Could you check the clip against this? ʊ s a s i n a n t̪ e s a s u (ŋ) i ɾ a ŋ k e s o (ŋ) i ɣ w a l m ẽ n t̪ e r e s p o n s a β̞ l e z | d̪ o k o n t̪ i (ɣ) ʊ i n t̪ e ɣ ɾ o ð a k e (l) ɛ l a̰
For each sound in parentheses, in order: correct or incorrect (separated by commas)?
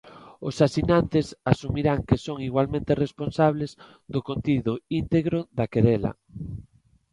incorrect, correct, incorrect, incorrect